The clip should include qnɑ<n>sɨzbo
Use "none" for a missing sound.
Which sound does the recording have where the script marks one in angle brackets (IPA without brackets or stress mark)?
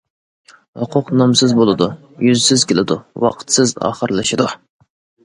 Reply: m